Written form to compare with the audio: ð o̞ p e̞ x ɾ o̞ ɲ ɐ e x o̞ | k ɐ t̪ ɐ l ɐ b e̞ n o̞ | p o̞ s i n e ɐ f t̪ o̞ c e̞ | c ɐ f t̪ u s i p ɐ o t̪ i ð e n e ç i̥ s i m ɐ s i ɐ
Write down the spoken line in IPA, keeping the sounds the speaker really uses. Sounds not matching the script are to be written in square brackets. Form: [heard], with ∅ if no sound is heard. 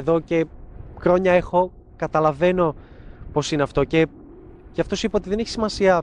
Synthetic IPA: ð o̞ [c] e̞ x ɾ o̞ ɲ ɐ e x o̞ | k ɐ t̪ ɐ l ɐ [v] e̞ n o̞ | p o̞ s i n e ɐ f t̪ o̞ c e̞ | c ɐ f t̪ [o] s i p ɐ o t̪ i ð e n e ç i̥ s i m ɐ s i ɐ